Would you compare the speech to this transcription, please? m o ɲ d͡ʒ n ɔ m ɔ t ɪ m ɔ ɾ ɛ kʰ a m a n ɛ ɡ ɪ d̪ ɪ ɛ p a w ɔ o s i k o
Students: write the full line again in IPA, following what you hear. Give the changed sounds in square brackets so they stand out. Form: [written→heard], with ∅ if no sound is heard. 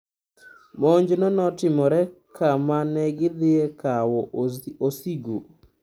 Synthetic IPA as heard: m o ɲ d͡ʒ n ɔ [m→n] ɔ t ɪ m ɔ ɾ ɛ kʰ a m a n ɛ ɡ ɪ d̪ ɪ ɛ [p→k] a w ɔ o s i [k→ɡ] o